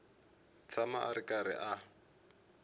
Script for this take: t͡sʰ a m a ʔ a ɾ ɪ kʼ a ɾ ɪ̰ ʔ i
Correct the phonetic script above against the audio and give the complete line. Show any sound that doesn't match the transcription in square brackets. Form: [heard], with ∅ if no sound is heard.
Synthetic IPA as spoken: t͡sʰ a m a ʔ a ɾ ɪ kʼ a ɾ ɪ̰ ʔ [a]